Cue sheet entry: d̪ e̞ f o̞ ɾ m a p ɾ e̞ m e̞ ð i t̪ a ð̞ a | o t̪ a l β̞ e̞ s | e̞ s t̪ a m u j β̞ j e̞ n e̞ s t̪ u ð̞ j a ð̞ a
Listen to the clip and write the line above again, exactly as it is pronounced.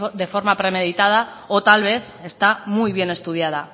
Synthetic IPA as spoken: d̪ e̞ f o̞ ɾ m a p ɾ e̞ m e̞ ð i t̪ a ð̞ a | o t̪ a l β̞ e̞ θ | e̞ s t̪ a m u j β̞ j e̞ n e̞ s t̪ u ð̞ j a ð̞ a